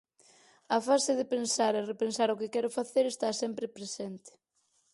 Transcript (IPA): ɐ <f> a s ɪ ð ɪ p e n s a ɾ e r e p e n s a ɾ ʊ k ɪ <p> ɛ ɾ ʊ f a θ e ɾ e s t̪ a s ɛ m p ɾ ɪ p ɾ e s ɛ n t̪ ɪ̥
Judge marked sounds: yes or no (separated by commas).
yes, no